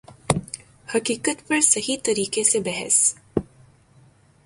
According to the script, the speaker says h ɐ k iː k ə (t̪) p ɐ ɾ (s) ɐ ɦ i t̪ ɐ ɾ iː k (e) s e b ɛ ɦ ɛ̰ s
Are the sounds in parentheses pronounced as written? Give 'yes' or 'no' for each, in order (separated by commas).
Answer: yes, yes, yes